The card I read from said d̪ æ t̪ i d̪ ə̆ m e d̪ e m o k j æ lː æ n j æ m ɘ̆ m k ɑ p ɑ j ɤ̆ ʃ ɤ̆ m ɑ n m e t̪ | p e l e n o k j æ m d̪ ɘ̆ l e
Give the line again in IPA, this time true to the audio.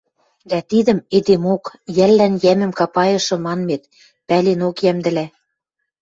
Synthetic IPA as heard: d̪ æ t̪ i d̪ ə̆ m e d̪ e m o k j æ lː æ n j æ m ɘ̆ m k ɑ p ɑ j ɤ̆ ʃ ɤ̆ m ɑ n m e t̪ | p æ l e n o k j æ m d̪ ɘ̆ l æ